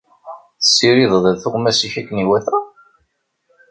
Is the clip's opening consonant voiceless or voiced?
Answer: voiceless